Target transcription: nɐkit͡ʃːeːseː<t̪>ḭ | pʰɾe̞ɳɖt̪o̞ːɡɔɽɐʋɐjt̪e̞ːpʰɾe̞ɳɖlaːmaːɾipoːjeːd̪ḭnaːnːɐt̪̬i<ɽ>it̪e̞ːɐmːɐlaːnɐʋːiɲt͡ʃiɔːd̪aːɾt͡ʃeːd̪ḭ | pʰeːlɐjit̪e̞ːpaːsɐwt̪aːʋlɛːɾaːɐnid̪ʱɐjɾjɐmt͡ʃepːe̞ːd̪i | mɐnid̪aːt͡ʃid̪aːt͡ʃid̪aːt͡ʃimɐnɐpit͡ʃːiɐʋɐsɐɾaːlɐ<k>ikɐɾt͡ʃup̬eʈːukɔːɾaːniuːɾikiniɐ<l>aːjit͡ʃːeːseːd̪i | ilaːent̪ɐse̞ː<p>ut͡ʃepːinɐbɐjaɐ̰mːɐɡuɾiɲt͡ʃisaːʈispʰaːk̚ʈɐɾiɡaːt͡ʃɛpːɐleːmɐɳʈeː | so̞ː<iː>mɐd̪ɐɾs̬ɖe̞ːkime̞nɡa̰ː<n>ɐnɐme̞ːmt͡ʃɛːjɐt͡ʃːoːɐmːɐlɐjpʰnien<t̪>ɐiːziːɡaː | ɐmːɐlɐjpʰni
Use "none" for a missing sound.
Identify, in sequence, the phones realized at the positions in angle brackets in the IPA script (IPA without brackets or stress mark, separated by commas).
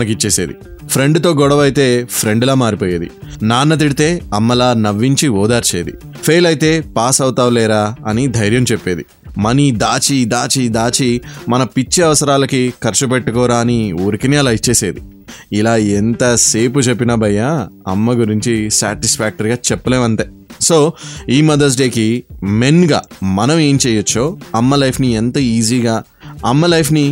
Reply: d̪, ɽ, k, l, p, iː, m, t̪